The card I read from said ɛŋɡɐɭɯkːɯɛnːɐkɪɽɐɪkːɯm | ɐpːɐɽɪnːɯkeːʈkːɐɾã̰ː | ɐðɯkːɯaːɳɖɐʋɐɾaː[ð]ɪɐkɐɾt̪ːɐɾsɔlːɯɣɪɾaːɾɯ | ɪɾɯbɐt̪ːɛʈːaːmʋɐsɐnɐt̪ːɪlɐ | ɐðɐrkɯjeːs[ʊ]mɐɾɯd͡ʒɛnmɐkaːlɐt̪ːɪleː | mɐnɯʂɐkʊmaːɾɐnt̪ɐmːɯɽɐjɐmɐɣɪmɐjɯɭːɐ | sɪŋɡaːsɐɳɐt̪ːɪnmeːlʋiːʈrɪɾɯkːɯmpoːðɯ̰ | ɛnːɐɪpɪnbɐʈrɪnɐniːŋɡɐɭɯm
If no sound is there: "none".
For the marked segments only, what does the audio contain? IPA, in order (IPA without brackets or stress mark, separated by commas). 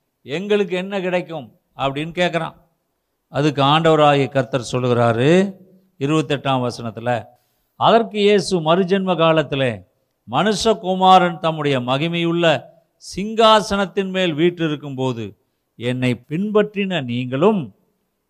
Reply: ɣ, ɯ